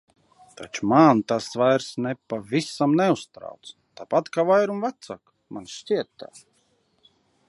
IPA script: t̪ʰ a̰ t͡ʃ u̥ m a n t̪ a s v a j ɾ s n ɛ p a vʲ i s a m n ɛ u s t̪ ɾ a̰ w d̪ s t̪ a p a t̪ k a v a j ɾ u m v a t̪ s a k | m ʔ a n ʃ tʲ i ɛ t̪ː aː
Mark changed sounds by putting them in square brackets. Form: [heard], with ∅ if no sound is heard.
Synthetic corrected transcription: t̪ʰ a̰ t͡ʃ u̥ m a n t̪ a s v a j ɾ s n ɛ p a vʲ i s a m n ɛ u s t̪ ɾ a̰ w [t̪] s t̪ a p a t̪ k a v a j ɾ u m v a t̪ s a k | m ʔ a n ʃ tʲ i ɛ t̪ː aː